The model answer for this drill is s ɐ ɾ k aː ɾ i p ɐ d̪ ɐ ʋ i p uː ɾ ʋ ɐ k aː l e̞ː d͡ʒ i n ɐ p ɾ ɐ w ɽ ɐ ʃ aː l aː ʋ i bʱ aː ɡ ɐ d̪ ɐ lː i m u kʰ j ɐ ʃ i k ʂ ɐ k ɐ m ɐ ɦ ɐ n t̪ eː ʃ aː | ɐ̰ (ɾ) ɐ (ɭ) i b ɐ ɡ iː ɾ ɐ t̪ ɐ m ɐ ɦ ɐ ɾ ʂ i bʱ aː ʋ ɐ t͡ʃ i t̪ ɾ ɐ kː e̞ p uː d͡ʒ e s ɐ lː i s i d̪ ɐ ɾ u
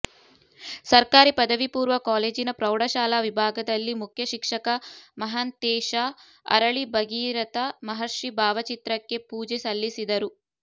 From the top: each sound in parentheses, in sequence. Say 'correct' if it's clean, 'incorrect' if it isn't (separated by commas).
correct, correct